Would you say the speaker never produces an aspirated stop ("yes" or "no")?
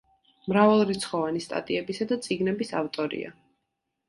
yes